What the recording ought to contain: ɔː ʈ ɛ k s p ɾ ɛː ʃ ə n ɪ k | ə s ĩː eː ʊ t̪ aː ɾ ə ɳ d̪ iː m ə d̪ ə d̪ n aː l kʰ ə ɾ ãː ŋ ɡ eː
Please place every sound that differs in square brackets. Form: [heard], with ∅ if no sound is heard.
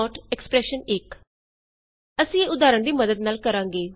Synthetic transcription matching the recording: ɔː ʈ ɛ k s p ɾ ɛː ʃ ə n ɪ k | ə s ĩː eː ʊ [d̪] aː ɾ ə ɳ d̪ iː m ə d̪ ə d̪ n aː l [k] ə ɾ ãː ŋ ɡ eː